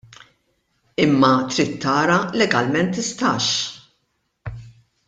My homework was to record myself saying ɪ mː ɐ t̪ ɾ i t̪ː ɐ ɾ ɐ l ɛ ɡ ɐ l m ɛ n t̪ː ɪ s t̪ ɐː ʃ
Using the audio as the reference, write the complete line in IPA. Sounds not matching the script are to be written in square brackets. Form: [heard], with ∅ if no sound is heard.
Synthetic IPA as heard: ɪ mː ɐ t̪ ɾ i t̪ː [ɐː] ɾ ɐ l ɛ ɡ ɐ l m ɛ n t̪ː ɪ s t̪ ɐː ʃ